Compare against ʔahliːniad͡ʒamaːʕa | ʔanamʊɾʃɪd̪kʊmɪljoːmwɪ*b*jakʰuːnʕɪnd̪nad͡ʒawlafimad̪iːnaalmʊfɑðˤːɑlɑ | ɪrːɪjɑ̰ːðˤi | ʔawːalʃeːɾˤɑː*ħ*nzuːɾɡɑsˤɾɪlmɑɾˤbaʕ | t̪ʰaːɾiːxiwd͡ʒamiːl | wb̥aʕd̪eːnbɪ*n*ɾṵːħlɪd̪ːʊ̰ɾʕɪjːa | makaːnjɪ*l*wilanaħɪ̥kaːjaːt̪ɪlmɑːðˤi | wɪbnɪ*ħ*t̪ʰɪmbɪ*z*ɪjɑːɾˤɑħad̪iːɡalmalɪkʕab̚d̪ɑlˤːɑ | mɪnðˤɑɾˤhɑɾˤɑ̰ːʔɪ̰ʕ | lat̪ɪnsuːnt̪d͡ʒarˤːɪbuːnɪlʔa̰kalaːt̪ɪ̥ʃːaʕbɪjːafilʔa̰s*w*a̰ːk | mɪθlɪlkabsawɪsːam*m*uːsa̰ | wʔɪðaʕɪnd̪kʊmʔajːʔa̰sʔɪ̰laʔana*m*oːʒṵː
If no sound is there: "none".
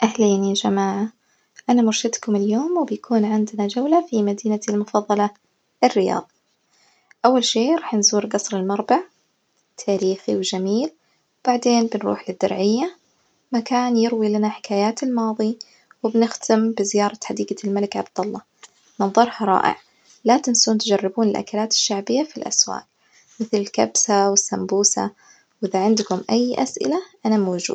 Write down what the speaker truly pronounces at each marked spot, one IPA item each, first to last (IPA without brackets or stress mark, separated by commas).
b, ħ, n, ɾ, x, z, w, b, m